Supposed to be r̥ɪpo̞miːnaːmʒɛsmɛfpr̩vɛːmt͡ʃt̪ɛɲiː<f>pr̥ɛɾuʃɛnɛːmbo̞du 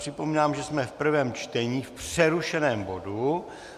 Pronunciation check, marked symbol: correct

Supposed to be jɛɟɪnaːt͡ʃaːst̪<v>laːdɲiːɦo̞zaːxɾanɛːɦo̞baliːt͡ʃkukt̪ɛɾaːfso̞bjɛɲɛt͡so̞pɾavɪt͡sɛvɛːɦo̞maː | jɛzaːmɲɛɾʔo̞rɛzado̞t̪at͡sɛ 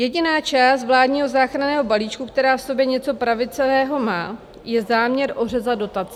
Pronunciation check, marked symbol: correct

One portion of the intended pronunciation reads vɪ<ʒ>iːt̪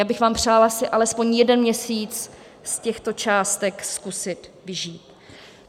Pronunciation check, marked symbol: correct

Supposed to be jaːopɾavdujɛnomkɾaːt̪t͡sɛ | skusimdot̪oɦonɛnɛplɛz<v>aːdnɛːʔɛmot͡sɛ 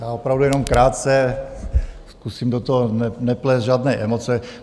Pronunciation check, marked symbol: incorrect: ʒ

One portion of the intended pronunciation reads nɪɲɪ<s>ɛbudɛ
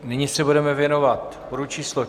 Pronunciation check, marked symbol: correct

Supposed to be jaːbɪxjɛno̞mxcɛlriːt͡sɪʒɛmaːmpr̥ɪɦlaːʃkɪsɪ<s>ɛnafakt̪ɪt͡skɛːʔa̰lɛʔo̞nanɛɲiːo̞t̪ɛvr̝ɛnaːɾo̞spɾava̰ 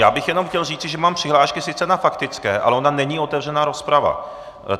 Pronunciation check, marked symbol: incorrect: t͡s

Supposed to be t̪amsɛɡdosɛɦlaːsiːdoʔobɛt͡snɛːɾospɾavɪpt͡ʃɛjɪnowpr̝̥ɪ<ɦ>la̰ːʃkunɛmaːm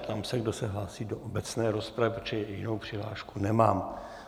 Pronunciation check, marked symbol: correct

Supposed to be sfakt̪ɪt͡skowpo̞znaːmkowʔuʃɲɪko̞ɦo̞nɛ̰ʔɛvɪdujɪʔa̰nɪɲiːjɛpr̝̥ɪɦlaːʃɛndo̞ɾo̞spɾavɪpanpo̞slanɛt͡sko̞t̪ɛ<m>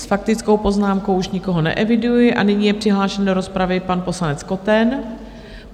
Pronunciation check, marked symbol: incorrect: n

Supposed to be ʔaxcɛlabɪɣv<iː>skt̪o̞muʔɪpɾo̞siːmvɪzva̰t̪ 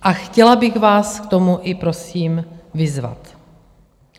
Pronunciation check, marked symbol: incorrect: aː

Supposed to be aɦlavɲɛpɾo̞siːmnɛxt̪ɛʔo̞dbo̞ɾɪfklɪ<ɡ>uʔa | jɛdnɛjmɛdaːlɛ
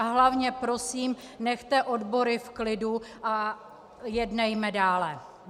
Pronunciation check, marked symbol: incorrect: d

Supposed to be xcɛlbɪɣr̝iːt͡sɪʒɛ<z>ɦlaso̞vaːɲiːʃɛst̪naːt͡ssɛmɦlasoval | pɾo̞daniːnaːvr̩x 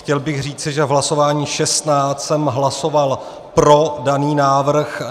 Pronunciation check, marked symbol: incorrect: v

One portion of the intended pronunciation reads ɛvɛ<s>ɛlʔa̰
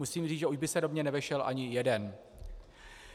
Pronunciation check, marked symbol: incorrect: ʃ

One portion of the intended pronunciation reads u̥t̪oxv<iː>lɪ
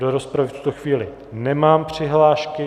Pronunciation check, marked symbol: correct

